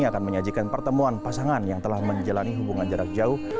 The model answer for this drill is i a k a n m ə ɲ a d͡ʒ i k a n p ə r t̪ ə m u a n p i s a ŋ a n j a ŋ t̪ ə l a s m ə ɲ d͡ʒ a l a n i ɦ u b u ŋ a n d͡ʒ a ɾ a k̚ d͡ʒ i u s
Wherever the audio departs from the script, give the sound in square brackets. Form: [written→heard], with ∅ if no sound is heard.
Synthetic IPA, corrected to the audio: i a k a n m ə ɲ a d͡ʒ i k a n p ə r t̪ ə m u a n p [i→a] s a ŋ a n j a ŋ t̪ ə l a [s→h] m ə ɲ d͡ʒ a l a n i ɦ u b u ŋ a n d͡ʒ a ɾ a k̚ d͡ʒ [i→a] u [s→h]